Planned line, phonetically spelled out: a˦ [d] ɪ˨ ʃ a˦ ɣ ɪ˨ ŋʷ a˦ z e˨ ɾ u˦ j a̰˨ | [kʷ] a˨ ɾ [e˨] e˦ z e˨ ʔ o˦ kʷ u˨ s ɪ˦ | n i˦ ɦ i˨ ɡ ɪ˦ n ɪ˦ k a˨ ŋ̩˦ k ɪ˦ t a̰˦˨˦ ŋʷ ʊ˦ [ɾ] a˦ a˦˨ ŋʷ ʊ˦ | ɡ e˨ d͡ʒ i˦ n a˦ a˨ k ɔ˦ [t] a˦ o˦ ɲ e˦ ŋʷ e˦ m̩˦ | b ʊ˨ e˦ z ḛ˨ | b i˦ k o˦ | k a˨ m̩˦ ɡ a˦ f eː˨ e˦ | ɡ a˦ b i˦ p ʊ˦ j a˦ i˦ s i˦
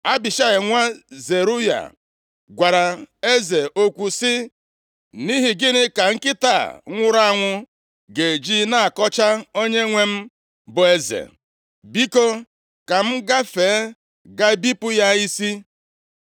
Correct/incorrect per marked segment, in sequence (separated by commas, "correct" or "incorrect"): incorrect, incorrect, incorrect, correct, incorrect